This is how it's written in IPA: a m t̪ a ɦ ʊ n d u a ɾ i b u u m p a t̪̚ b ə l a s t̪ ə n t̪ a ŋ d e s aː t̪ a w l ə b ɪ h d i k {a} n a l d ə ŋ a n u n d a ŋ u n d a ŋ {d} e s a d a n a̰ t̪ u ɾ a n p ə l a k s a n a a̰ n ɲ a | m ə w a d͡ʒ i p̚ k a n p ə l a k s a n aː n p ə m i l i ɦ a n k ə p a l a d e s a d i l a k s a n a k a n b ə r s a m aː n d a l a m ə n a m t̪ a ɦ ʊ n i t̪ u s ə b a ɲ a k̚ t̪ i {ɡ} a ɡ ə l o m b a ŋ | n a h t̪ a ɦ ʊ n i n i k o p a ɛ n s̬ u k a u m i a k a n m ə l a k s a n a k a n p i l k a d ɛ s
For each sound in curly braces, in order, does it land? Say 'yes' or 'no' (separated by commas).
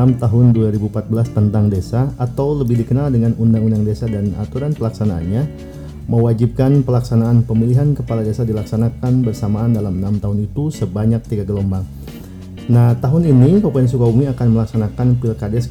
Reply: no, yes, yes